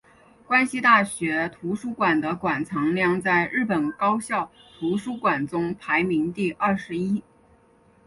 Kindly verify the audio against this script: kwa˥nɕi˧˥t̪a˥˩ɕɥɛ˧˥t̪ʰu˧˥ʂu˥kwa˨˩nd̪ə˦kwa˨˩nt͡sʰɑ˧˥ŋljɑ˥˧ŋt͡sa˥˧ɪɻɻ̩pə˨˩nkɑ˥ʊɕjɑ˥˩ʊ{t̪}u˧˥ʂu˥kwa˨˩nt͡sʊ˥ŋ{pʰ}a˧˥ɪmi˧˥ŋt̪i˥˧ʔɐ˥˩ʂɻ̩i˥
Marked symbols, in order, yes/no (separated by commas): no, yes